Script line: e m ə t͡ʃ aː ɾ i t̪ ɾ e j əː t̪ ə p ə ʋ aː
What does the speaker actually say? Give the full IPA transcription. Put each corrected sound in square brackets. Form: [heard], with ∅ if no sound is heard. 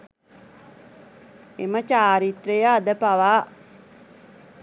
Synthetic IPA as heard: e m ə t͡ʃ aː ɾ i t̪ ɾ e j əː [d̪] ə p [a] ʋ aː